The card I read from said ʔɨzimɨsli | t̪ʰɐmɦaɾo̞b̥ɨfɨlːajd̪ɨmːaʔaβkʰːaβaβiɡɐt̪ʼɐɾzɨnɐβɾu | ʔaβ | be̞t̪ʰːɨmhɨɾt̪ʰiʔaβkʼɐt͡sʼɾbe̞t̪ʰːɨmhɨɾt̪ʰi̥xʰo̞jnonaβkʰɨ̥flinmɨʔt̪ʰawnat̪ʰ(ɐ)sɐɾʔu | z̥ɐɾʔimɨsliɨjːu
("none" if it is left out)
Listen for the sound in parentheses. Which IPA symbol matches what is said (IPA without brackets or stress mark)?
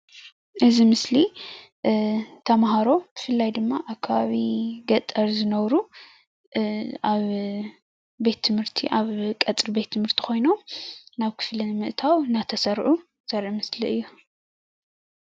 ɐ